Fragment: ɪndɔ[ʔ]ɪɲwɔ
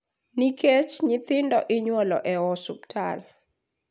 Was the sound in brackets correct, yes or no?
yes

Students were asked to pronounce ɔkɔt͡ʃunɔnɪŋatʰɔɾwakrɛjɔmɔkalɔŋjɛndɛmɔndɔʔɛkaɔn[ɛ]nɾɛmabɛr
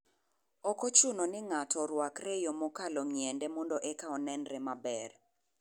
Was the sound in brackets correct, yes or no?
yes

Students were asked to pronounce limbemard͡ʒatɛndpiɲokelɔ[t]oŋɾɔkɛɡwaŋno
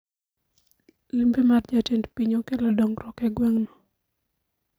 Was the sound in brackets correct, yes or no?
no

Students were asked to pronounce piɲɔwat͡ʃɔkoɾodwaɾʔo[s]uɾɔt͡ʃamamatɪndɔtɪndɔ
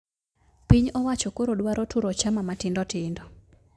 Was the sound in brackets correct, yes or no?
no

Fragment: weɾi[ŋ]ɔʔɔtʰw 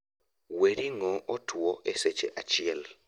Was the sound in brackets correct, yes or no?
yes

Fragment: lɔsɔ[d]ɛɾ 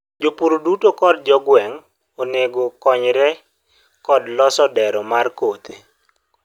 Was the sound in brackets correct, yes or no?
yes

